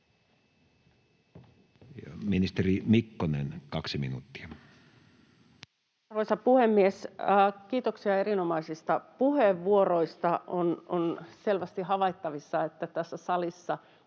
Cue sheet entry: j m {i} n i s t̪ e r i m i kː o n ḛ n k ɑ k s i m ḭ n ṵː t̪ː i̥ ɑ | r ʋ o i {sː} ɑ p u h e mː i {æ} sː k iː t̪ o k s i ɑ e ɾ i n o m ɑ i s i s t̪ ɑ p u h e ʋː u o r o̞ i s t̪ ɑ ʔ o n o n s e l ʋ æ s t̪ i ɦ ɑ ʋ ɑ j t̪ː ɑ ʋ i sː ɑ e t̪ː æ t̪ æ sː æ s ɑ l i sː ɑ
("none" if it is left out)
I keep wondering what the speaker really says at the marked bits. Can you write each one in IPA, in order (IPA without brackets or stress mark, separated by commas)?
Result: i, s, e